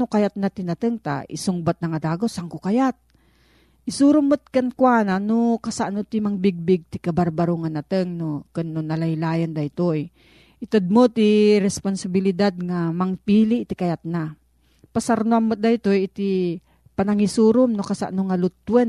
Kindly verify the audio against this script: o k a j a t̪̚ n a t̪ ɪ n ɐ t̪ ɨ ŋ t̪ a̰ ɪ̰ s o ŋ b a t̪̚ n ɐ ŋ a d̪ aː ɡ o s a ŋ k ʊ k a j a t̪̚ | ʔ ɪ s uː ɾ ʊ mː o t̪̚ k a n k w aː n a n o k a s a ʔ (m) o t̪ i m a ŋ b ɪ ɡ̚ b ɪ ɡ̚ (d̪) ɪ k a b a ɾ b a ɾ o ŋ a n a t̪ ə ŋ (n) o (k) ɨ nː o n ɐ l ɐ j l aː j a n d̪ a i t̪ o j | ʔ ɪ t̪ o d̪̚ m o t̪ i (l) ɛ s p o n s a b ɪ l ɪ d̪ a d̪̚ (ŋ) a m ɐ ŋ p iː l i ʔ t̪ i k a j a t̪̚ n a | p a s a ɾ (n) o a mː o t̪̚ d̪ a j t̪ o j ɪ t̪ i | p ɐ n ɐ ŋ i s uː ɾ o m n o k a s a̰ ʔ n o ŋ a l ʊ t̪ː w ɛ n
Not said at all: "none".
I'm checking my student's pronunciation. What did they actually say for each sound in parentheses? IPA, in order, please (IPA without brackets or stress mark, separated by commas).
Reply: n, t̪, n, k, ɾ, ŋ, n